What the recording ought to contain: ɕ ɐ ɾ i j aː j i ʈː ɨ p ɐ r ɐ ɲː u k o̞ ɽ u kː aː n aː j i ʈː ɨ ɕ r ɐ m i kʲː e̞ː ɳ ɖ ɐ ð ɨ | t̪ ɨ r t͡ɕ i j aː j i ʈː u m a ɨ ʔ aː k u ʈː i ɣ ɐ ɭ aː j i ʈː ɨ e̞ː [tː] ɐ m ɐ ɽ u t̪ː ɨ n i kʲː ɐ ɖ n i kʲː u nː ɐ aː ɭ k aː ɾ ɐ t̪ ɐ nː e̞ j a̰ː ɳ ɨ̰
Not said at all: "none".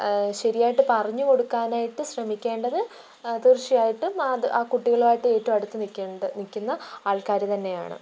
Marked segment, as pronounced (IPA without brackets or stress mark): tː